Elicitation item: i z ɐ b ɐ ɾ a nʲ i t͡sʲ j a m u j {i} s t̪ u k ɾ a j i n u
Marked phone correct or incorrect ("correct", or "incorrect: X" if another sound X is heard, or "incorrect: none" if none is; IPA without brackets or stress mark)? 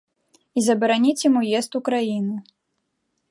incorrect: ɛ